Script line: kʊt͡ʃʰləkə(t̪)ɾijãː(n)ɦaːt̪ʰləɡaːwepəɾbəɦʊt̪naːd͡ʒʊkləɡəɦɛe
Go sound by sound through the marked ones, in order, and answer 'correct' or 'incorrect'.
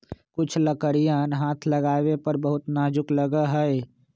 incorrect: none, correct

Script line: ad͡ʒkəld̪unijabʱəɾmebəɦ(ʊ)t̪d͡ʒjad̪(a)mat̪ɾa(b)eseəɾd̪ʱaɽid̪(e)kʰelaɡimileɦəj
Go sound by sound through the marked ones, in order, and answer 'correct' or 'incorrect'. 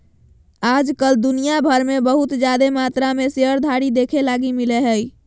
incorrect: u, incorrect: e, incorrect: m, correct

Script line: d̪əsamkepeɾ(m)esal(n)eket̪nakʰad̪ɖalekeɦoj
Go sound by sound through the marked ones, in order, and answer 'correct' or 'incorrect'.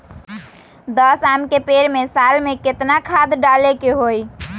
correct, incorrect: m

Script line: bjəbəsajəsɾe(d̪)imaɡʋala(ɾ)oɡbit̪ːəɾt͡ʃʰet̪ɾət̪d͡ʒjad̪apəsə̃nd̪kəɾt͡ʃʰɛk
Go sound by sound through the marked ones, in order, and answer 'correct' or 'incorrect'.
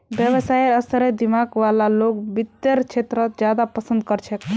correct, incorrect: l

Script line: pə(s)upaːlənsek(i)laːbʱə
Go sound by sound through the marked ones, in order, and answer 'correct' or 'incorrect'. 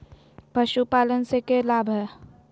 incorrect: ʃ, incorrect: e

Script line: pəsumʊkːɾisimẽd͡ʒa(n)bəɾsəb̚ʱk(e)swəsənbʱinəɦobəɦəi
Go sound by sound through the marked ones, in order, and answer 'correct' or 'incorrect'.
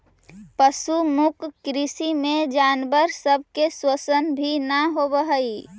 correct, correct

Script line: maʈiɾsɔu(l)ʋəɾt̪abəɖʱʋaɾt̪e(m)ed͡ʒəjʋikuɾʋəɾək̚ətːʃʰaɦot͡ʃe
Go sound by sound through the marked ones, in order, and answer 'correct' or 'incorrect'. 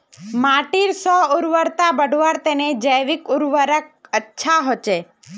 incorrect: ɾ, incorrect: n

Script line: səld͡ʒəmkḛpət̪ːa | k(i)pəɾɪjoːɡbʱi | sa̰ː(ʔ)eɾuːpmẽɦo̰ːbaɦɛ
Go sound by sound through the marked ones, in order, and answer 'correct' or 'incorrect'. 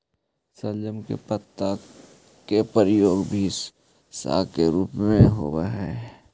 incorrect: e, incorrect: k

